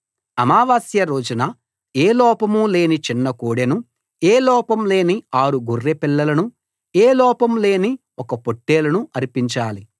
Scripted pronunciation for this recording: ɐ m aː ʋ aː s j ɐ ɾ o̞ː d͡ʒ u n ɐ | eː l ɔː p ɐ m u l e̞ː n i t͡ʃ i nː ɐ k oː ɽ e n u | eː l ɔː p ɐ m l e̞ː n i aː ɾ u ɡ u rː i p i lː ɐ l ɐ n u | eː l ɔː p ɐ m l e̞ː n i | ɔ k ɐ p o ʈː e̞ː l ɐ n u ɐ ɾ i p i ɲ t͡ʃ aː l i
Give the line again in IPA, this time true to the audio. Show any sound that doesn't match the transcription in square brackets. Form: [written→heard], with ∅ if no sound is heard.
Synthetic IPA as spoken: ɐ m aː ʋ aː s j ɐ ɾ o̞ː d͡ʒ u n ɐ | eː l ɔː p ɐ m u l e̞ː n i t͡ʃ i nː ɐ k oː ɽ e n u | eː l ɔː p ɐ m l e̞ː n i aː ɾ u ɡ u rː [i→e] p i lː ɐ l ɐ n u | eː l ɔː p ɐ m l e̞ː n i | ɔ k ɐ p o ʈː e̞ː l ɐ n u ɐ ɾ i p i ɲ t͡ʃ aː l i